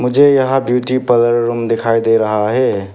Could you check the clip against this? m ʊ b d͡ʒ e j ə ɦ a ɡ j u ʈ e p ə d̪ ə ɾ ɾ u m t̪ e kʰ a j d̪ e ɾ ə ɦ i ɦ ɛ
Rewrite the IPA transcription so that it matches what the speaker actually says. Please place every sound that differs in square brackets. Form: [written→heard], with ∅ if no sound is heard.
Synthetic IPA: m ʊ [b→∅] d͡ʒ e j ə ɦ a [ɡ→b] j u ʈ [e→i] p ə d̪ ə ɾ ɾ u m [t̪→d̪] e kʰ a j d̪ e ɾ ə ɦ [i→a] ɦ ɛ